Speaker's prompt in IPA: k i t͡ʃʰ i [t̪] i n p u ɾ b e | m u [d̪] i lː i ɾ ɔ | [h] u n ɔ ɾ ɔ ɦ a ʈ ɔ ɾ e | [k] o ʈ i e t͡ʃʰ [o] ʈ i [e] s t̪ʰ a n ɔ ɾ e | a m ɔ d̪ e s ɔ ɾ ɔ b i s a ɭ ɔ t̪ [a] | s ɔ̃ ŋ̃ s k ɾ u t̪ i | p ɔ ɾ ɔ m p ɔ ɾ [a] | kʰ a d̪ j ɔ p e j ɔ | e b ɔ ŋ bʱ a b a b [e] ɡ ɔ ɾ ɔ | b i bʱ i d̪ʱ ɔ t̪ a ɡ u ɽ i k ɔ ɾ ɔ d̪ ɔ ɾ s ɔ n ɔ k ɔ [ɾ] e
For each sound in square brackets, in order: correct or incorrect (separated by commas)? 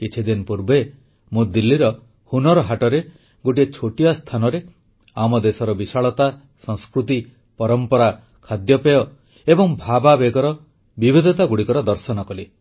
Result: incorrect, correct, correct, incorrect, correct, incorrect, correct, correct, correct, incorrect